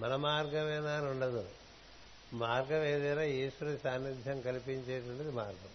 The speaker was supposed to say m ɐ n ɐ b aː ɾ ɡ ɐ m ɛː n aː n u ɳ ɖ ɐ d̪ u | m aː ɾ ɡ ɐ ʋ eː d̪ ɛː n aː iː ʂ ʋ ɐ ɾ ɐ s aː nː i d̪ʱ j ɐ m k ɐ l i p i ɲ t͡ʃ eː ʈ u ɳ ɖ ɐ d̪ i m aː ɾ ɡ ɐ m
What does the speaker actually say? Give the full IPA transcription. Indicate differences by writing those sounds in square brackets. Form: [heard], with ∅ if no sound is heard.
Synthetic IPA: m ɐ n ɐ [m] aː ɾ ɡ ɐ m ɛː n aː n u ɳ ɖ ɐ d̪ u | m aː ɾ ɡ ɐ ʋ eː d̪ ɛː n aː iː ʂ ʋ ɐ ɾ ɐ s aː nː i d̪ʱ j ɐ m k ɐ l i p i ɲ t͡ʃ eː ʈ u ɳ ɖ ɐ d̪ i m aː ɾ ɡ ɐ m